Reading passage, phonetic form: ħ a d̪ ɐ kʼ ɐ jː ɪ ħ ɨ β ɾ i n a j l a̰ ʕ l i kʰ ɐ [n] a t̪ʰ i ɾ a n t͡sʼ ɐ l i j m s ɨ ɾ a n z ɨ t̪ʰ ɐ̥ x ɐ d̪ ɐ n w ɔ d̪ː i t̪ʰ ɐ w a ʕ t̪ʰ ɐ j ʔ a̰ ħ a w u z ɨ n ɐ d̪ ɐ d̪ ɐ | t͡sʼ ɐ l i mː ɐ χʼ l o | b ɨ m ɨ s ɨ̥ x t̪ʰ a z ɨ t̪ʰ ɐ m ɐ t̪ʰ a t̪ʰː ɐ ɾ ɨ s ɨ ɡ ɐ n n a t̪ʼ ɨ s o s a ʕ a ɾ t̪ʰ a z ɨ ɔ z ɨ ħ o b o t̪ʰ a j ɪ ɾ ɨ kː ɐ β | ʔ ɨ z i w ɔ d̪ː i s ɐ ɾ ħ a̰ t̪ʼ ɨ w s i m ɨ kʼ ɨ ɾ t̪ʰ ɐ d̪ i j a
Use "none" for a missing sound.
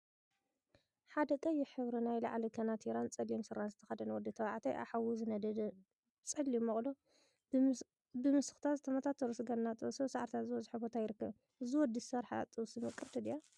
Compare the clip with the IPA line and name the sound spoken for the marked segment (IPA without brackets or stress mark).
n